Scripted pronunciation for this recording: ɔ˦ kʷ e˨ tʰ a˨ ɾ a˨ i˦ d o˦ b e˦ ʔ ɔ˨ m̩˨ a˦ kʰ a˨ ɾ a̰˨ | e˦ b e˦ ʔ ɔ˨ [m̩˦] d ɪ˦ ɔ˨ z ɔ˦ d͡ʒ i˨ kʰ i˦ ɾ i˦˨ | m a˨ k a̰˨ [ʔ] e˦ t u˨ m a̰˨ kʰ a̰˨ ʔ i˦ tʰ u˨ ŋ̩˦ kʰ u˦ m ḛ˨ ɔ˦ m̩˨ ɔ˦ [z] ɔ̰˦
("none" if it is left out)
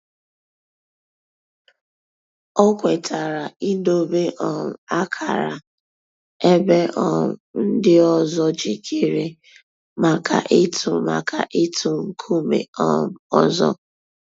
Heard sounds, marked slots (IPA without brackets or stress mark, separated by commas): n̩˦, ʔ, z